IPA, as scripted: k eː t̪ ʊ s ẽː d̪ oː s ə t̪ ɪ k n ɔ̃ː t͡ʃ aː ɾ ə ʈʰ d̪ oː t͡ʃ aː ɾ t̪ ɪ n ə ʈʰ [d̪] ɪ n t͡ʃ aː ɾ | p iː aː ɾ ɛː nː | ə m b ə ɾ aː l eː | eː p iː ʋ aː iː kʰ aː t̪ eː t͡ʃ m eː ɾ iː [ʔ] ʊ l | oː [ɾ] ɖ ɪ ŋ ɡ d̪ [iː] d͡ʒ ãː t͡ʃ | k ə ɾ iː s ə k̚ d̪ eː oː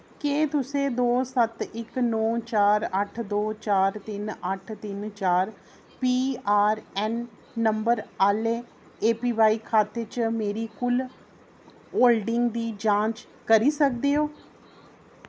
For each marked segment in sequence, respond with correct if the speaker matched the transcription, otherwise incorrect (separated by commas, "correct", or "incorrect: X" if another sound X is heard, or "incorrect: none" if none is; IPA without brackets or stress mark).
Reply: incorrect: t̪, incorrect: k, incorrect: l, correct